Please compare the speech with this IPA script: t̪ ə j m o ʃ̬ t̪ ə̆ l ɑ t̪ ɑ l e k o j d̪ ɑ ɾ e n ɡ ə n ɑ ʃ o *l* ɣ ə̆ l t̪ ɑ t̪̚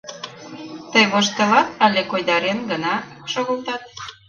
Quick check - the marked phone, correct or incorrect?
incorrect: none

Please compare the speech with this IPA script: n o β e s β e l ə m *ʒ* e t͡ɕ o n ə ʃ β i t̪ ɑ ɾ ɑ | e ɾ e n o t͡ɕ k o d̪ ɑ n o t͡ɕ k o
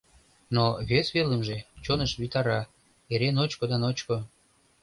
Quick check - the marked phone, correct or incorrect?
correct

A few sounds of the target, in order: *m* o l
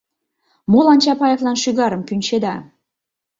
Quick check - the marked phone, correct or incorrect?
correct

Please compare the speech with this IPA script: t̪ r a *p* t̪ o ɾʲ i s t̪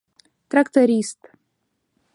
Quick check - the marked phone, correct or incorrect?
incorrect: k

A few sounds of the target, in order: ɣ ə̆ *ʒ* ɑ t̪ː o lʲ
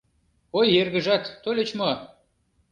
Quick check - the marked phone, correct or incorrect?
correct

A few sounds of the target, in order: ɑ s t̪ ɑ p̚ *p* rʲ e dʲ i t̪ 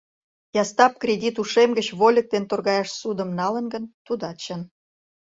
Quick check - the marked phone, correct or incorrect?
incorrect: k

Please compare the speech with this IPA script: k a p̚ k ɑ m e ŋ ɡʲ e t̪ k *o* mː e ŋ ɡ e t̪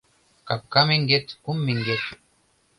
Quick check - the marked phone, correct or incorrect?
incorrect: u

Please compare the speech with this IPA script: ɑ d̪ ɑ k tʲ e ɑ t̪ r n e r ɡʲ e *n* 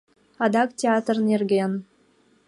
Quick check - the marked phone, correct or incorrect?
correct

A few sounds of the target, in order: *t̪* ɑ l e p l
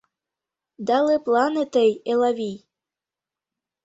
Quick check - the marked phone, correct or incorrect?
incorrect: d̪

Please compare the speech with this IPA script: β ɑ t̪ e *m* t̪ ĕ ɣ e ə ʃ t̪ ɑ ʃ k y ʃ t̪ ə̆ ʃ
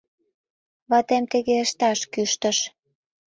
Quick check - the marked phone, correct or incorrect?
correct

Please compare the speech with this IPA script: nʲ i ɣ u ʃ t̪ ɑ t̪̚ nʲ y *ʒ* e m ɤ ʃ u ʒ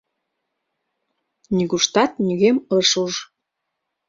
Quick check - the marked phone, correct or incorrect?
incorrect: ɣ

